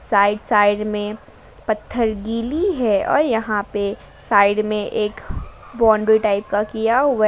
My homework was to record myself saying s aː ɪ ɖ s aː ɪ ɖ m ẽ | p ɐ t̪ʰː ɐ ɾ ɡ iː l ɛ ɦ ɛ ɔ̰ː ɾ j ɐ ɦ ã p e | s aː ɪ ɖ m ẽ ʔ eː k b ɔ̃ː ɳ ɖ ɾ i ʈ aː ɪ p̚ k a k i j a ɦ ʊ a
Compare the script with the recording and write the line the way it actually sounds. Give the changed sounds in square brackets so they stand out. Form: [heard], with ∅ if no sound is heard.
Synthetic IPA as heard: s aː ɪ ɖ s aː ɪ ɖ m ẽ | p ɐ t̪ʰː [ə] ɾ ɡ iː l [i] ɦ ɛ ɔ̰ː ɾ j ɐ ɦ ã p e | s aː ɪ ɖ m ẽ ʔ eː k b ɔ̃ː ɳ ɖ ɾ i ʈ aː ɪ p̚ k a k i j a ɦ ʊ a